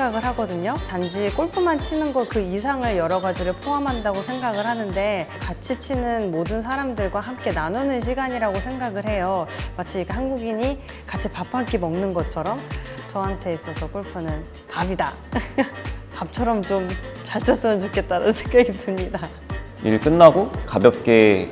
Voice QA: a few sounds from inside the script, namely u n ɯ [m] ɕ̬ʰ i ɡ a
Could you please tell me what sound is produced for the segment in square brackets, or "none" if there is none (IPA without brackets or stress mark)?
n